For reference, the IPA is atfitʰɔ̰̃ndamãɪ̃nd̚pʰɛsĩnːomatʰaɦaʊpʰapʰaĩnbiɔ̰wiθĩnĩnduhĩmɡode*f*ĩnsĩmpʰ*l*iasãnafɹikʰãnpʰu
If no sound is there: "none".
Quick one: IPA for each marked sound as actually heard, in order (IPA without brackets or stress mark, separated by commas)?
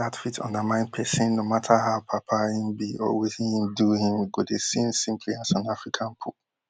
s, l